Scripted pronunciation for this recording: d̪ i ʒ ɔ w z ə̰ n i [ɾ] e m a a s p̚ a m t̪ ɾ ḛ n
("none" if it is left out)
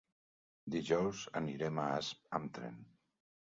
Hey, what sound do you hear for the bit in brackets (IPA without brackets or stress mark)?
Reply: ɾ